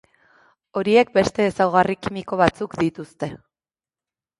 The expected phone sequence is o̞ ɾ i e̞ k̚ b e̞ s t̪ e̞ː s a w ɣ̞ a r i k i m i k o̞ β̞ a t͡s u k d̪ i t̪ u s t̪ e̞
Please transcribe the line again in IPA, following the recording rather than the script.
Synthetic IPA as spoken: o̞ ɾ i e̞ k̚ b e̞ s t̪ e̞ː s a w ɣ̞ a r i k i m i k o̞ β̞ a t͡s u k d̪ i t̪ u s t̪ e̞